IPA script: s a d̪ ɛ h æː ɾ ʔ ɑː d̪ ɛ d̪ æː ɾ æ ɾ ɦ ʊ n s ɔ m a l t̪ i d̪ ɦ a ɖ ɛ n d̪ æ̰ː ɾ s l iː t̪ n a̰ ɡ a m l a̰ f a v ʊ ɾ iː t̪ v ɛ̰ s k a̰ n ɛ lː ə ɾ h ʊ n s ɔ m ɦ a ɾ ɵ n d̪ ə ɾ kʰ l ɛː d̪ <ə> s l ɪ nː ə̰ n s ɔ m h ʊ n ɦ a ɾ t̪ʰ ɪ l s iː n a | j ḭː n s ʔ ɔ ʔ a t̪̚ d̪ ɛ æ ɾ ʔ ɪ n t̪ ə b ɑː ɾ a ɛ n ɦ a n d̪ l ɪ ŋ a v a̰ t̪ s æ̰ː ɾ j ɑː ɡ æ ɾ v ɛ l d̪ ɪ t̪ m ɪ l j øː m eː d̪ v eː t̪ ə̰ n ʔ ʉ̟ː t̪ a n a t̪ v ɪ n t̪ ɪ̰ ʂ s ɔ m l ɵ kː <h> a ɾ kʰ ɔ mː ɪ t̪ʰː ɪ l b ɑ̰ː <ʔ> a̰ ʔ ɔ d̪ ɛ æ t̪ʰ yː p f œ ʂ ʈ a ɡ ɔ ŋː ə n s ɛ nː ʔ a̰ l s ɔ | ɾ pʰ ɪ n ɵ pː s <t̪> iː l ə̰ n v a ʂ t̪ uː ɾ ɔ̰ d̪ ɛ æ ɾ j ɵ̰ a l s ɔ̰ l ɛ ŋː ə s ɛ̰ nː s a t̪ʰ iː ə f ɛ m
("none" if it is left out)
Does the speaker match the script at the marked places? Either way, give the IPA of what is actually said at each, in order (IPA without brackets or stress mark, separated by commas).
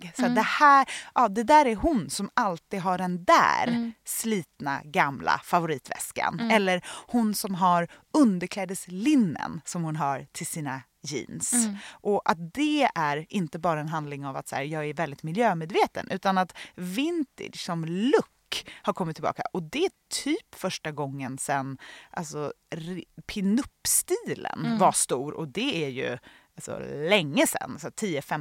ə, h, k, t̪